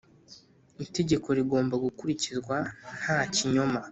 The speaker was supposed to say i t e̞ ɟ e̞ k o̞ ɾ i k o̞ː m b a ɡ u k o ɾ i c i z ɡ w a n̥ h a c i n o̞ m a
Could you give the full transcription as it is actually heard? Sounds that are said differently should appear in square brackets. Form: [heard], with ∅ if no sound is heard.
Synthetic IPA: i t e̞ ɟ e̞ k o̞ ɾ i [ɡ] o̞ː m b a ɡ u k [u] ɾ i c i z ɡ w a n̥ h a c i [ɲ] o̞ m a

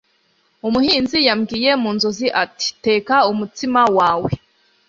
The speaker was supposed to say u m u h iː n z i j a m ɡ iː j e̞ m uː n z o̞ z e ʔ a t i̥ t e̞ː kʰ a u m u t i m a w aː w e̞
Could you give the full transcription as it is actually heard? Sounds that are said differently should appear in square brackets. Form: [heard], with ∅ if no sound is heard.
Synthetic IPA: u m u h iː n z i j a m ɡ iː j e̞ m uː n z o̞ z [i] ʔ a t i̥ t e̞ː [k] a u m u t i m a w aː w e̞

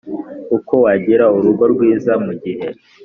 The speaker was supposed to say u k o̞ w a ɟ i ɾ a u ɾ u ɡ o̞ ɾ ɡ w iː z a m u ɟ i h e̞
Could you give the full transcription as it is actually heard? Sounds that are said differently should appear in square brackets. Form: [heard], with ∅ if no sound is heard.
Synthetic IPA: u k o̞ w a ɟ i ɾ a u ɾ u ɡ o̞ ɾ ɡ w iː z a m u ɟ i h e̞

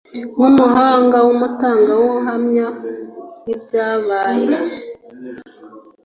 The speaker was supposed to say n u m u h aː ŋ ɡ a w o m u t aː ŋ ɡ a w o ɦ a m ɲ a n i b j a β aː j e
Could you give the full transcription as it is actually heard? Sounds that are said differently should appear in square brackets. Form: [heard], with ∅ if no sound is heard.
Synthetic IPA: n u m u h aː ŋ ɡ a w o m u t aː ŋ ɡ a w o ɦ a m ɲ a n i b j a β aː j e

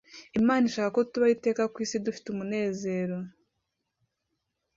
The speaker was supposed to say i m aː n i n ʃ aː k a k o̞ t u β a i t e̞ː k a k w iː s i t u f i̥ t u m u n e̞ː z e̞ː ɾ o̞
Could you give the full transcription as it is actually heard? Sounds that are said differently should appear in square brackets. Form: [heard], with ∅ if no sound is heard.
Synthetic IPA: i m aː n i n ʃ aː k a k o̞ t u β a i t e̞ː k a k w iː s i [d] u f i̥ t u m u n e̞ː z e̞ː ɾ o̞

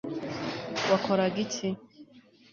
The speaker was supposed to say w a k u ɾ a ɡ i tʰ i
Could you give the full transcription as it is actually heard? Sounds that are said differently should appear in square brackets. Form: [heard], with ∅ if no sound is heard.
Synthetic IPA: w a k [o] ɾ a ɡ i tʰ i

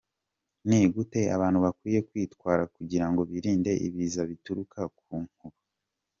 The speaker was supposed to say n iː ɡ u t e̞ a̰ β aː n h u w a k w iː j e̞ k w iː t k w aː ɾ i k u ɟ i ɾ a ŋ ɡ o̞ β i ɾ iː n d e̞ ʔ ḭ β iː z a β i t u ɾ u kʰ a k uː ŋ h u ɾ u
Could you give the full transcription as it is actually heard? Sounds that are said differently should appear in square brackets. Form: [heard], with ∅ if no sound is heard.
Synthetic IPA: n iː ɡ u t e̞ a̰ β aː n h u [β] a k w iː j e̞ k w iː t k w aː ɾ [a] k u ɟ i ɾ a ŋ ɡ o̞ β i ɾ iː n d e̞ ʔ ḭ β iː z a β i t u ɾ u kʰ a k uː ŋ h u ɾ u

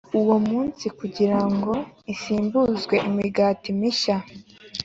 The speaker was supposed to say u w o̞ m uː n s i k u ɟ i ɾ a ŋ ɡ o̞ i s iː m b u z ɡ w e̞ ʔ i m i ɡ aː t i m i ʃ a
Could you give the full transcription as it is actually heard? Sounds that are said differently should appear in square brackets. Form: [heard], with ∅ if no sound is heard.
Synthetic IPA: u w o̞ m uː n s i k u ɟ i ɾ a ŋ ɡ o̞ i s iː m b u z ɡ w e̞ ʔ i m i ɡ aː t i m i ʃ a

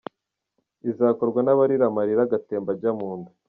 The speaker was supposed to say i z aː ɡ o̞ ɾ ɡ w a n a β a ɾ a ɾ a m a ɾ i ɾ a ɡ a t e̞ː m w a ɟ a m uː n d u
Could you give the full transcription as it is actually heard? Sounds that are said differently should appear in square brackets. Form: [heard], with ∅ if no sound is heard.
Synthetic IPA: i z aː [k] o̞ ɾ ɡ w a n a β a ɾ [i] ɾ a m a ɾ i ɾ a ɡ a t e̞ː m [b] a ɟ a m uː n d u

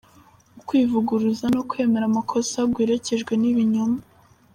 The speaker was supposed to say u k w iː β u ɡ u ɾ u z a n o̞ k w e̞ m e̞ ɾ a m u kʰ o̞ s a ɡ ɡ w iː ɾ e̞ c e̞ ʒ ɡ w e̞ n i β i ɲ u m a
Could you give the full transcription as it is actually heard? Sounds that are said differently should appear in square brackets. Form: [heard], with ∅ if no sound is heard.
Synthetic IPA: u k w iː [v] u ɡ u ɾ u z a n o̞ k w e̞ m e̞ ɾ a m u kʰ o̞ s a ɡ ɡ w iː ɾ e̞ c e̞ ʒ ɡ w e̞ n i β i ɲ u m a

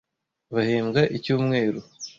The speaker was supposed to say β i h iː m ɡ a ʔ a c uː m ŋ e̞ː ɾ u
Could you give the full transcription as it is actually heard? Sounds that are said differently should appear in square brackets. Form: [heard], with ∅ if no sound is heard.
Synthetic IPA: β [a] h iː m ɡ a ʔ [i] c uː m ŋ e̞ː ɾ u

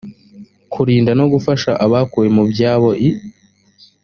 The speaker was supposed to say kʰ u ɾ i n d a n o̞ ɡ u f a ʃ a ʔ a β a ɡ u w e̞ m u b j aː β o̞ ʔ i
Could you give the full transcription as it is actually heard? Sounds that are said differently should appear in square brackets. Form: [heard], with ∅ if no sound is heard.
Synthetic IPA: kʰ u ɾ [iː] n d a n o̞ ɡ u f a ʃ a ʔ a β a [k] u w e̞ m u b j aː β o̞ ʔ i

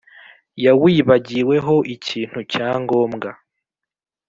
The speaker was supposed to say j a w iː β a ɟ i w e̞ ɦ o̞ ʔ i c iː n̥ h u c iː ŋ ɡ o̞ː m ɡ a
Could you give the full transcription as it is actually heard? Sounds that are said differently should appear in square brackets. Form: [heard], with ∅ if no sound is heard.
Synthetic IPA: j a w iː β a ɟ i w e̞ ɦ o̞ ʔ i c iː n̥ h u c [aː] ŋ ɡ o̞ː m ɡ a

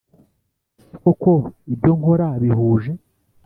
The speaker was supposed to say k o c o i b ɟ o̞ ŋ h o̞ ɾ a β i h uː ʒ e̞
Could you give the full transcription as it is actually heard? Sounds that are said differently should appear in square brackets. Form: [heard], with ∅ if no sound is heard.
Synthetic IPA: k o [k] o i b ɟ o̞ ŋ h o̞ ɾ a β i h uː ʒ e̞

